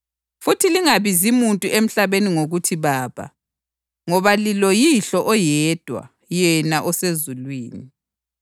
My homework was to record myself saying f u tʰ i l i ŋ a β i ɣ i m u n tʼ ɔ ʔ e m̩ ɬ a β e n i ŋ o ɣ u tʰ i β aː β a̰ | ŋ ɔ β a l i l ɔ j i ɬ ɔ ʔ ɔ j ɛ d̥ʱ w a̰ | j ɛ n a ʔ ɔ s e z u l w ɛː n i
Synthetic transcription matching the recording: f u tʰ i l i ŋ a β i z i m u n tʼ u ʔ e m̩ ɬ a β e n i ŋ o ɣ u tʰ i β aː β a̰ | ŋ ɔ β a l i l ɔ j i ɬ ɔ ʔ ɔ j ɛ d̥ʱ w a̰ | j ɛ n a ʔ ɔ s e z u l w iː n i